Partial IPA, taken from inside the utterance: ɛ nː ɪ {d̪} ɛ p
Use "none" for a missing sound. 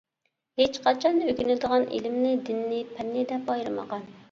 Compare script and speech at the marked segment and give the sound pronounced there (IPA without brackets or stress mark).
d̪